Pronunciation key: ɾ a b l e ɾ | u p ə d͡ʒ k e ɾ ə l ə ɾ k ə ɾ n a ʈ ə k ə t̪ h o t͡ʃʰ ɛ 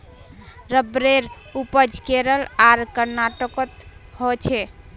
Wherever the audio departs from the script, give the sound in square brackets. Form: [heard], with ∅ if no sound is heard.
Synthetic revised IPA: ɾ [ə] b [ɾ] e ɾ | u p ə d͡ʒ k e ɾ ə l [a] ɾ k ə ɾ n a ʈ ə k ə t̪ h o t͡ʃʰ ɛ

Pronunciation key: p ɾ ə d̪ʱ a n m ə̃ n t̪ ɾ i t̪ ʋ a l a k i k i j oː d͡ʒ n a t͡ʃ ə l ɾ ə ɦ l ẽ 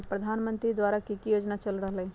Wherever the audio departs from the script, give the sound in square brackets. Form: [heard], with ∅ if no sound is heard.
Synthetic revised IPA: p ɾ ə d̪ʱ a n m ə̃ n t̪ ɾ i [d̪] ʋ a [ɾ] a k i k i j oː d͡ʒ n a t͡ʃ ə l ɾ ə ɦ l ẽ

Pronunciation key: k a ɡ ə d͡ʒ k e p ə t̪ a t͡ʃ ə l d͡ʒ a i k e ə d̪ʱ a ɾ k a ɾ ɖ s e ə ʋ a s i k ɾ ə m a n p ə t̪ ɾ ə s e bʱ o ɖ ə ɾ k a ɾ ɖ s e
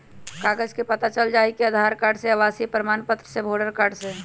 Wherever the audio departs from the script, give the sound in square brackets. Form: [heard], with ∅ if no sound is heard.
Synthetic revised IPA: k a ɡ ə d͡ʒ k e p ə t̪ a t͡ʃ ə l d͡ʒ a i k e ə d̪ʱ a ɾ k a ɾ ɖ s e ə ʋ a s i [p] ɾ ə m a n p ə t̪ ɾ ə s e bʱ o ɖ ə ɾ k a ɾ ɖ s e

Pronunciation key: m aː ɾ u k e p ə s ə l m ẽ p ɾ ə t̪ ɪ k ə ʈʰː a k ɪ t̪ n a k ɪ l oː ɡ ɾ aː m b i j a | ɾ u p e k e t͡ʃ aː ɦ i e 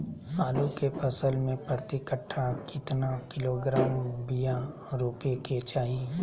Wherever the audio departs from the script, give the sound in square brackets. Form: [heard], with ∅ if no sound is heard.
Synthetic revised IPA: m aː [l] u k e p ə s ə l m ẽ p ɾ ə t̪ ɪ k ə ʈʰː a k ɪ t̪ n a k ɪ l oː ɡ ɾ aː m b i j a | ɾ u p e k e t͡ʃ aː ɦ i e

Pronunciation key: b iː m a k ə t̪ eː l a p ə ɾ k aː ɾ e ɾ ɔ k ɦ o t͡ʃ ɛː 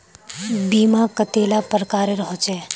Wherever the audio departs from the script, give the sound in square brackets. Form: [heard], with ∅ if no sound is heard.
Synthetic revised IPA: b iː m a k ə t̪ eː l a p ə ɾ k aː ɾ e ɾ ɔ [∅] ɦ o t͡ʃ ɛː

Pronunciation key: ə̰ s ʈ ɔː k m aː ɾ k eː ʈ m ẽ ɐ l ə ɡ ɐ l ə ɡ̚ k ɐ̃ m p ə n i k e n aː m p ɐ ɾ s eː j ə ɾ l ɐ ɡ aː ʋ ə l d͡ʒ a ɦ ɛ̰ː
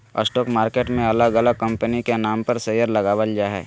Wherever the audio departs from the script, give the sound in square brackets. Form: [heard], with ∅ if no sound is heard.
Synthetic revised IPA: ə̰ s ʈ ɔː k m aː ɾ k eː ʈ m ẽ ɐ l ə ɡ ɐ l ə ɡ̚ k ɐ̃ m p ə n i k e n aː m p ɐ ɾ s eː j ə ɾ l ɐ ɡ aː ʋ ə l d͡ʒ a ɦ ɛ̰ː

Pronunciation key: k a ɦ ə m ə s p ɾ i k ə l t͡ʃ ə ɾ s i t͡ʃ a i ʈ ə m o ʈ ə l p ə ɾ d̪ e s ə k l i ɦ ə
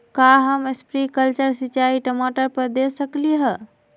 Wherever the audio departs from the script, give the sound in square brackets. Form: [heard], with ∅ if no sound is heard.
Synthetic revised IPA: k a ɦ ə m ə s p ɾ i k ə l t͡ʃ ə ɾ s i t͡ʃ a i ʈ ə m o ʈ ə [ɾ] p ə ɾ d̪ e s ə k l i ɦ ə

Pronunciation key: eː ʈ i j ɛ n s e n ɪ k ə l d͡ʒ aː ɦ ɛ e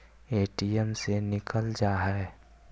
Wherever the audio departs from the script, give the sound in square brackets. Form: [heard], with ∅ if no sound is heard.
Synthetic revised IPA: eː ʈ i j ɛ [m] s e n ɪ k ə l d͡ʒ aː ɦ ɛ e

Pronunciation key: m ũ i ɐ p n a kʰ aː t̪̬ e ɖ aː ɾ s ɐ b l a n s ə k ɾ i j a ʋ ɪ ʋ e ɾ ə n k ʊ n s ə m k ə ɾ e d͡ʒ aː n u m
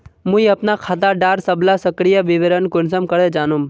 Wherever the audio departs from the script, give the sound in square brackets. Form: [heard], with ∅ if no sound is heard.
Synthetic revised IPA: m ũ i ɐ p n a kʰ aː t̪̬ [a] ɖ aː ɾ s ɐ b l a [∅] s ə k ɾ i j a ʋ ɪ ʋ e ɾ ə n k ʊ n s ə m k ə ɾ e d͡ʒ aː n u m

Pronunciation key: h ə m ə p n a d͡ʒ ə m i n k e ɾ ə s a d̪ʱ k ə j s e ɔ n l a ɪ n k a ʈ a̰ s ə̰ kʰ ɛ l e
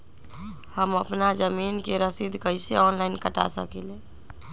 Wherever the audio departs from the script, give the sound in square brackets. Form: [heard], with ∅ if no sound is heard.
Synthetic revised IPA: h ə m ə p n a d͡ʒ ə m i n k e ɾ ə s [i] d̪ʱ k ə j s e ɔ n l a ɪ n k [ə] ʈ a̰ s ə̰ [k] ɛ l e

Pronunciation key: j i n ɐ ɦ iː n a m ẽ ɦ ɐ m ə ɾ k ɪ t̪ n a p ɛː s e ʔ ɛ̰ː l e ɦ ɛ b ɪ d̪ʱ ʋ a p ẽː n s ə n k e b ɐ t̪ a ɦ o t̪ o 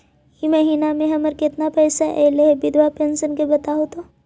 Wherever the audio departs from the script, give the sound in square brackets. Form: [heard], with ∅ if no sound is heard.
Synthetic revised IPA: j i [m] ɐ ɦ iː n a m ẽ ɦ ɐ m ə ɾ k ɪ t̪ n a p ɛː s [a] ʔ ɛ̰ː l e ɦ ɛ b ɪ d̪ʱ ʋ a p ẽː n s ə n k e b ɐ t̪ a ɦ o t̪ o

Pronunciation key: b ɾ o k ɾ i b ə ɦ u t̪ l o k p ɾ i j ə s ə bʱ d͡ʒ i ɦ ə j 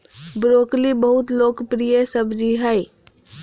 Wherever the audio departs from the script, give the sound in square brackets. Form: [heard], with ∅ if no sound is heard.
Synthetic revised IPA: b ɾ o k [l] i b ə ɦ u t̪ l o k p ɾ i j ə s ə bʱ d͡ʒ i ɦ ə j

